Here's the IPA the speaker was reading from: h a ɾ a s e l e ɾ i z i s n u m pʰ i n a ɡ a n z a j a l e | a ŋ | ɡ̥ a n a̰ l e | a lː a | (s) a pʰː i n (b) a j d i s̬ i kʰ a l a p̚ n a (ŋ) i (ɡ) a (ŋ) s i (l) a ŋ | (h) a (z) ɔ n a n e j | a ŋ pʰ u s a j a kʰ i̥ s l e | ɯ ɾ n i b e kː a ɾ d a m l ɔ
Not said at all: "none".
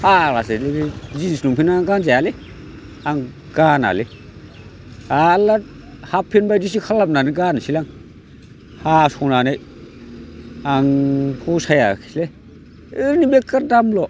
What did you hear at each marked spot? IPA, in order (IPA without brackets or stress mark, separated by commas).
h, b, n, ɡ, n, l, h, s